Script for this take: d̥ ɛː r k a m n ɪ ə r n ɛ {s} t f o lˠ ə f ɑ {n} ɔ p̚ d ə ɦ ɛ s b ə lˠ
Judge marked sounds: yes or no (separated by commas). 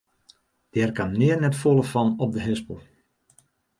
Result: no, yes